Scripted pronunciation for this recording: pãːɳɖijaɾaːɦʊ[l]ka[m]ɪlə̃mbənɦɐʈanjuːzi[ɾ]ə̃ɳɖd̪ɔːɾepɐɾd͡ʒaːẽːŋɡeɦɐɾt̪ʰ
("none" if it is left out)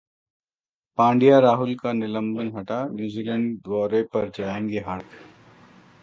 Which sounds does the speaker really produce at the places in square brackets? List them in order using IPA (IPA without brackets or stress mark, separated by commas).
l, n, l